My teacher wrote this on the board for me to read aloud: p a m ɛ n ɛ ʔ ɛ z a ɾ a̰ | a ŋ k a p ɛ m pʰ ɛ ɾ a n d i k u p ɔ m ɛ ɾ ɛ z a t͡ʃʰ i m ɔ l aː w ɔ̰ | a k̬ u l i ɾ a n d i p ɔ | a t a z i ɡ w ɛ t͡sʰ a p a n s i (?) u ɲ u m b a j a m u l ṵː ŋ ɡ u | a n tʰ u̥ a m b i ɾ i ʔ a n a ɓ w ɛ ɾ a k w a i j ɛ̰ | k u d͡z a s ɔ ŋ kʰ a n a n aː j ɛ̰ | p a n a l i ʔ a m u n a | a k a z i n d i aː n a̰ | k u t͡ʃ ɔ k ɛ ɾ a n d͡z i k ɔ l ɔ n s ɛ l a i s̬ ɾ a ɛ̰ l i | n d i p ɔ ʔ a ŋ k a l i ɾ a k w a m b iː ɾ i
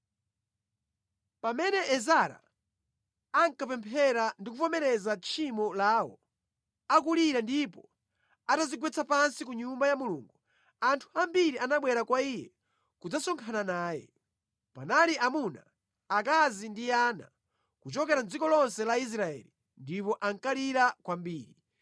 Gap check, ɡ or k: k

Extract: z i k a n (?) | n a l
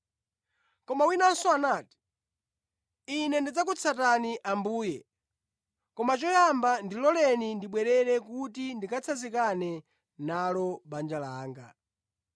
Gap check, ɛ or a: ɛ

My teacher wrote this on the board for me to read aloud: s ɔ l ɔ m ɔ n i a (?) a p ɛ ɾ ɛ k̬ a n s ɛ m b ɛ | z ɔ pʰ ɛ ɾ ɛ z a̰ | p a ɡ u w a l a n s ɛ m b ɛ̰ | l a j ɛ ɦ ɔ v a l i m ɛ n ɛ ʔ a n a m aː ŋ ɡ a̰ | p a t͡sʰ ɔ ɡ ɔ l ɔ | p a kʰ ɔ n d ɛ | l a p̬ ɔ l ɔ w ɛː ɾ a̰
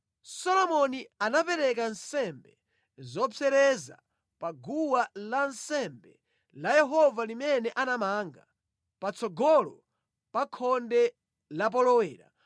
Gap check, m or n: n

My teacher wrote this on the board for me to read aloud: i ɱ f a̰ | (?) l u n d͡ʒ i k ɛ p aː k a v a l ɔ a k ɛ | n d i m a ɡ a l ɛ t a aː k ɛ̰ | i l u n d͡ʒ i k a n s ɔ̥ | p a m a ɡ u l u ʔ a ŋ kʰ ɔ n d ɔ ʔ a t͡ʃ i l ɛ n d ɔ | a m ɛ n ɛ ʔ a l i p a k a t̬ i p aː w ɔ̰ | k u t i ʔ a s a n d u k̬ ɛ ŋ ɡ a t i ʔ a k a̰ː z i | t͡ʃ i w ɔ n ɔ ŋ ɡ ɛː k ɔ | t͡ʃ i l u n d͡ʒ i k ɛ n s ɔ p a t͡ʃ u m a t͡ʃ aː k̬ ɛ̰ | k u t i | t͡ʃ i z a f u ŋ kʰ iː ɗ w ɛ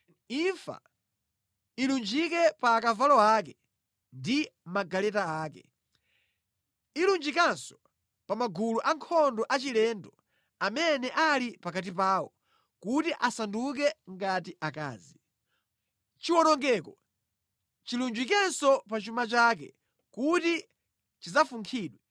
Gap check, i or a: i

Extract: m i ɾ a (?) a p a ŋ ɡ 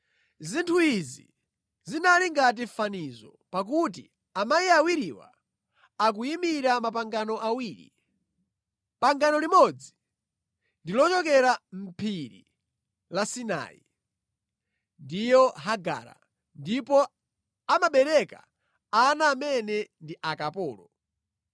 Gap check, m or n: m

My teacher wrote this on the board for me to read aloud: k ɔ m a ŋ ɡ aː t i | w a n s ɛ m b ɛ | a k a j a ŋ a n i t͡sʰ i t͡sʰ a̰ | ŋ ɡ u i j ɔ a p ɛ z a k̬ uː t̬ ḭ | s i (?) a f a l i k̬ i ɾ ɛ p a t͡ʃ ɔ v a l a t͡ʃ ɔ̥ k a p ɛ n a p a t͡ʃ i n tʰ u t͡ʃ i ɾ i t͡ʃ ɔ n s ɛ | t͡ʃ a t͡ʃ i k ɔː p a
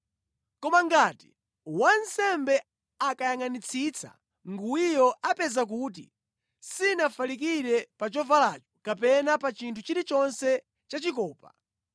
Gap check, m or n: n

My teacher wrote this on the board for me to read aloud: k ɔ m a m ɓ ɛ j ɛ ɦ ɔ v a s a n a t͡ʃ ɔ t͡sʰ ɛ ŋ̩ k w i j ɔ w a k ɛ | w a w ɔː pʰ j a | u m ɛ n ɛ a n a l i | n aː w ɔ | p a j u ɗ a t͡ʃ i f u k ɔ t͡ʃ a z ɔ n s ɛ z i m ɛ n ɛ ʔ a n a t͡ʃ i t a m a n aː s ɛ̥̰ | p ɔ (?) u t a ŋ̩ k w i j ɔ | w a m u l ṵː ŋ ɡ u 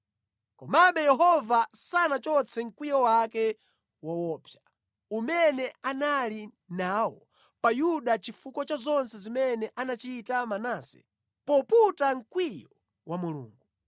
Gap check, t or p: p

